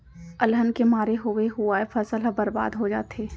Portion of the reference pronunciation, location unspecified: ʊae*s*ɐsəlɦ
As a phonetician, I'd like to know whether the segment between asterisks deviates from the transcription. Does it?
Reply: yes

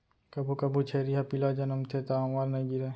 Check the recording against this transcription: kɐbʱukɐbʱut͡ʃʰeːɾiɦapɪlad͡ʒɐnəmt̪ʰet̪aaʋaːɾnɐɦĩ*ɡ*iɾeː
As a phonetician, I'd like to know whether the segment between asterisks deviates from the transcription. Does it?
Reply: no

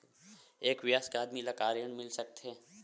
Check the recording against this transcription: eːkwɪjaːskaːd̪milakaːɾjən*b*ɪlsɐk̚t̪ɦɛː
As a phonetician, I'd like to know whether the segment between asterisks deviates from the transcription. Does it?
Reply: yes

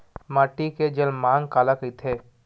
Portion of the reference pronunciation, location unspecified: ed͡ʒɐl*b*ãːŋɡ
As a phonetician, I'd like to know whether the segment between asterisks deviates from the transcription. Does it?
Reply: yes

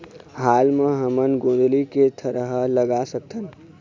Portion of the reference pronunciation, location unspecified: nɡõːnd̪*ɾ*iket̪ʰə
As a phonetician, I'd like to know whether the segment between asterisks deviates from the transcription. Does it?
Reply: yes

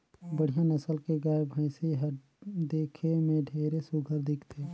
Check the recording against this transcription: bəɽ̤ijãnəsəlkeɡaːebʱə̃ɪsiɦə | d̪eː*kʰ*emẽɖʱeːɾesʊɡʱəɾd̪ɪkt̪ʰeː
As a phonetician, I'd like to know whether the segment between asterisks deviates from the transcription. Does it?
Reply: no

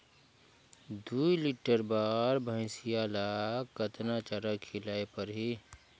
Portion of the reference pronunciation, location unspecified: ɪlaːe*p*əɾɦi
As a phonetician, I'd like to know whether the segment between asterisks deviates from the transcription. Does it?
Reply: no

